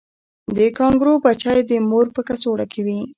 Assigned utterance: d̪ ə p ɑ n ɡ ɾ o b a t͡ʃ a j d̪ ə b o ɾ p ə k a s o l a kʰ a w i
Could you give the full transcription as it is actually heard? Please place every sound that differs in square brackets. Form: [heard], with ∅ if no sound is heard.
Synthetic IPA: d̪ ə [k] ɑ [ŋ] ɡ ɾ o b a t͡ʃ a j d̪ ə [m] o ɾ p ə k a s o [ɽ] a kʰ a w i